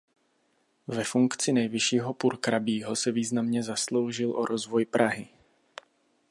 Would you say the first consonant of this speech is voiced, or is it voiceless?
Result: voiced